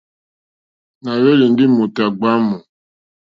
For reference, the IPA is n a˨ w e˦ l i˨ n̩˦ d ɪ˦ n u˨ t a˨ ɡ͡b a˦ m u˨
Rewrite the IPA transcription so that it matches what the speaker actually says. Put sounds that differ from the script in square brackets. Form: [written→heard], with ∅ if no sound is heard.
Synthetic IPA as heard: n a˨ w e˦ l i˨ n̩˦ d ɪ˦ [n→m] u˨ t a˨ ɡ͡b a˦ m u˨